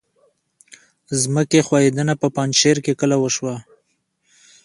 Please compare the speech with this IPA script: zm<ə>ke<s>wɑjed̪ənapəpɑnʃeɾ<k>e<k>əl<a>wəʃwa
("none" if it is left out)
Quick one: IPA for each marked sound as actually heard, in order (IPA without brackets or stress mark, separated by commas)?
ə, x, k, k, a